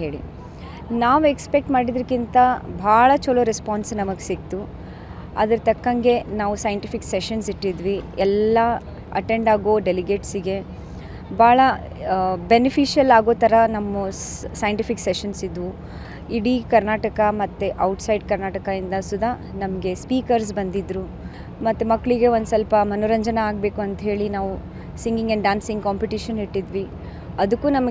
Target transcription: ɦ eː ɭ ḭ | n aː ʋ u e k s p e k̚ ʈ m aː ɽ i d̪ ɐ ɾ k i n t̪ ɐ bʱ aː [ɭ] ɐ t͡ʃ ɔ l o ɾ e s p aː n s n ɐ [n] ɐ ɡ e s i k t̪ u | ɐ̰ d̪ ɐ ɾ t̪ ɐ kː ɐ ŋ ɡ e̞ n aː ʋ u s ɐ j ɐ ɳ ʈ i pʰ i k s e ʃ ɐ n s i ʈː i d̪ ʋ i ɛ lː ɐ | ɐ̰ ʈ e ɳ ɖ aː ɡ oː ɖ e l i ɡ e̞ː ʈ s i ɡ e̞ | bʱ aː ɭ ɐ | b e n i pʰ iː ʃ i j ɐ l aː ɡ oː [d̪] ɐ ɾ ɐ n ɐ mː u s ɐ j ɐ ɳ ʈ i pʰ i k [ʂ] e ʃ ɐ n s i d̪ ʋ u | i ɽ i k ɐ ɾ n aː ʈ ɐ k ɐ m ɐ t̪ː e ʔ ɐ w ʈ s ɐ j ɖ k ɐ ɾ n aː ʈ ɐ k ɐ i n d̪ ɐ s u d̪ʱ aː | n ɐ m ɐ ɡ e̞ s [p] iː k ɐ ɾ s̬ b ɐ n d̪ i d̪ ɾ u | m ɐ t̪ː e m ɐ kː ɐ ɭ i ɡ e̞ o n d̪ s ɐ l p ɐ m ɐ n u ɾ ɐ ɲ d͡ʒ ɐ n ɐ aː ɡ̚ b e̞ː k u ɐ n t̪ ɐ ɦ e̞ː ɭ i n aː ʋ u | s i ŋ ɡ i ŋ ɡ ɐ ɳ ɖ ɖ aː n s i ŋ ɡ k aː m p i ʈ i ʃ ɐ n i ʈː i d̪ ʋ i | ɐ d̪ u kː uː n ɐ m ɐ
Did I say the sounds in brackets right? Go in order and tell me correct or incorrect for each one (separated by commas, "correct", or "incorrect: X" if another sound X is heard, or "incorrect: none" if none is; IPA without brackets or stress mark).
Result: correct, incorrect: m, incorrect: t̪, incorrect: s, correct